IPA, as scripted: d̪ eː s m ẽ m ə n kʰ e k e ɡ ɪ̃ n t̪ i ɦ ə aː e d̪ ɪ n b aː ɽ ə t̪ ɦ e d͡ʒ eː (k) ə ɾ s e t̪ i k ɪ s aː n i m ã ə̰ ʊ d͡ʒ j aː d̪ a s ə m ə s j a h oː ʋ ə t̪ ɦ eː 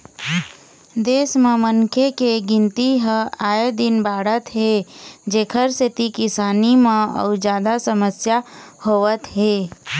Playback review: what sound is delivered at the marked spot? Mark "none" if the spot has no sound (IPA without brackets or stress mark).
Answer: kʰ